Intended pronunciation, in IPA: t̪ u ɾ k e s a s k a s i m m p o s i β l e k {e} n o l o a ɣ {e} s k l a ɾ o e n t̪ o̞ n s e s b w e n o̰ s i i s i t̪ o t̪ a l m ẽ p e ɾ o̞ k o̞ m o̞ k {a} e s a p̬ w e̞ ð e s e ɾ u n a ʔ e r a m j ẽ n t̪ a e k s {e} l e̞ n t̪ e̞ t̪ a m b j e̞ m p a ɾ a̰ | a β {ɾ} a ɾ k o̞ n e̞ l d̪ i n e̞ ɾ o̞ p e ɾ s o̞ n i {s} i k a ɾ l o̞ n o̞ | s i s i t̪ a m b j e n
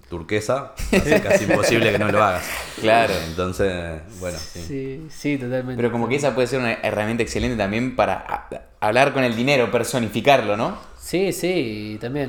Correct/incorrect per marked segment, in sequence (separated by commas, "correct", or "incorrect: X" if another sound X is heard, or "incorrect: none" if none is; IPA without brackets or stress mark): correct, incorrect: a, incorrect: e, correct, incorrect: l, incorrect: f